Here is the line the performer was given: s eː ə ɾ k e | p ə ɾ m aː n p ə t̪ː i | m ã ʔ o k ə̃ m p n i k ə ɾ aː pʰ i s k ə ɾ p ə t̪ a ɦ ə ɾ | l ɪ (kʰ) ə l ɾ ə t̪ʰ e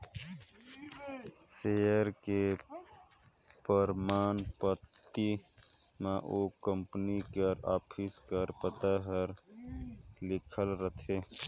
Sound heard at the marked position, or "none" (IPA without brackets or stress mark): kʰ